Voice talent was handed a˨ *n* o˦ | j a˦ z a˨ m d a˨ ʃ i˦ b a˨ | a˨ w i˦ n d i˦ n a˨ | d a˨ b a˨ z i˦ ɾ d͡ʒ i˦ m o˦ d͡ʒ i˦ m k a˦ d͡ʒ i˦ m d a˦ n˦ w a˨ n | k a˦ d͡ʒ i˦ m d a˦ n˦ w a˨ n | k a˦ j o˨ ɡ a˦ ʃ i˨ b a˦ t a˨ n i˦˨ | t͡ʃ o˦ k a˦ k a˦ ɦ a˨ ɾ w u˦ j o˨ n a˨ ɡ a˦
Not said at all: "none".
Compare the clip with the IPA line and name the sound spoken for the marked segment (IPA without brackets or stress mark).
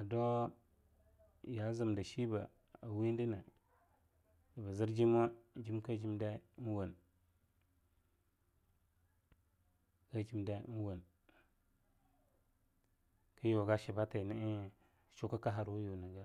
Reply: d